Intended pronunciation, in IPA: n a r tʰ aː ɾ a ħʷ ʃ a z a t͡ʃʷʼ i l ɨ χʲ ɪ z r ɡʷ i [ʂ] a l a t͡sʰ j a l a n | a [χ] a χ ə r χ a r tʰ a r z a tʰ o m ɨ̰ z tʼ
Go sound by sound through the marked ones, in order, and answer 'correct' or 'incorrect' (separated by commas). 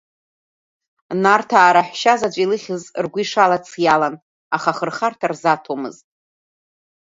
correct, correct